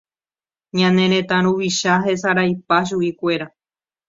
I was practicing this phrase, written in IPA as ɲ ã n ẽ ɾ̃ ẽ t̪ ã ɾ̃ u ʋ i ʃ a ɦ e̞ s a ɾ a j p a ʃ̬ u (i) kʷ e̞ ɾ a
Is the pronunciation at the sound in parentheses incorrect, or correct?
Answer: correct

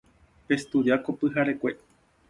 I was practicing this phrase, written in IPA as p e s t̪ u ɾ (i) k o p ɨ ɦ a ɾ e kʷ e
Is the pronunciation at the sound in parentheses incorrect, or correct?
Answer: incorrect: a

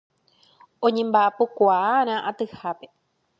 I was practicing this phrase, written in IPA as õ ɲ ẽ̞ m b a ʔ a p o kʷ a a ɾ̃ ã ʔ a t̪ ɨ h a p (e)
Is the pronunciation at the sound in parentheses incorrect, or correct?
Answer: correct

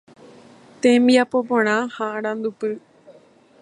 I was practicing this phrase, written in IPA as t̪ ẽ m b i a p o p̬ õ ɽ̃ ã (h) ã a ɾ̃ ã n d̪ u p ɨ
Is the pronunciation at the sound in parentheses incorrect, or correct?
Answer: correct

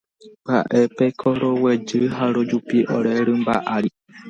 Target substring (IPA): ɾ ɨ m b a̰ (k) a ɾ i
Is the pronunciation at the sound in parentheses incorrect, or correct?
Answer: incorrect: ʔ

